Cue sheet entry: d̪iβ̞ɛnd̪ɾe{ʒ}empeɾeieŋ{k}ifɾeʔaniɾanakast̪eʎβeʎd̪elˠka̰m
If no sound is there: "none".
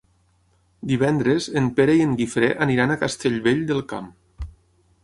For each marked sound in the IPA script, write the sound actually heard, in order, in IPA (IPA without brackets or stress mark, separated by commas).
z, ɡ